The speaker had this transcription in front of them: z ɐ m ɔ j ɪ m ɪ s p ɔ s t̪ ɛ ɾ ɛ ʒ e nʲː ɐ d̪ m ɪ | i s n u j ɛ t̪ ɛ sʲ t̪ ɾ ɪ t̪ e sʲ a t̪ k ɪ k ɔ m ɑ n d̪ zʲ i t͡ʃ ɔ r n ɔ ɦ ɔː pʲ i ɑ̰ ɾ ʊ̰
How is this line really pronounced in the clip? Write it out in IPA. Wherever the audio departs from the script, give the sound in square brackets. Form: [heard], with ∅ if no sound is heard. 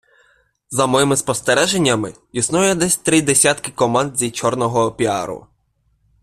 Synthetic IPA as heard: z ɐ m ɔ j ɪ m ɪ s p ɔ s t̪ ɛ ɾ ɛ ʒ e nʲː ɐ [∅] m ɪ | i s n u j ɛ [d̪] ɛ sʲ t̪ ɾ ɪ [d̪] e sʲ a t̪ k ɪ k ɔ m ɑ n d̪ zʲ i t͡ʃ ɔ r n ɔ ɦ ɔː pʲ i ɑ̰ ɾ ʊ̰